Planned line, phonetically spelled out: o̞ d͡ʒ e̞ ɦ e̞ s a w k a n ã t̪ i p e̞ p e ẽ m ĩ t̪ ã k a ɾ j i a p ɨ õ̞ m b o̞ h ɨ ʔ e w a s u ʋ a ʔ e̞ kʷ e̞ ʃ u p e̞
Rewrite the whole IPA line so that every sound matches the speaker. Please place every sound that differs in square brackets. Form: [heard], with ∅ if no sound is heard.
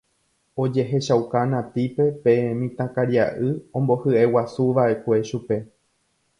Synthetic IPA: o̞ d͡ʒ e̞ ɦ e̞ [ʃ] a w k a n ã t̪ i p e̞ p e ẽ m ĩ t̪ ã k a ɾ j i a [ʔ] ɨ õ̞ m b o̞ h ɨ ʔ e w a s u ʋ a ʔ e̞ kʷ e̞ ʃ u p e̞